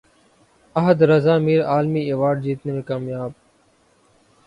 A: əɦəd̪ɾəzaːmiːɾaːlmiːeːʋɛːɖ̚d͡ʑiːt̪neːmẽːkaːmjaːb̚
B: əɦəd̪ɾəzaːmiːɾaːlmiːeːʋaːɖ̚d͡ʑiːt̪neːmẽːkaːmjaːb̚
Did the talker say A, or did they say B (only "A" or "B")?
B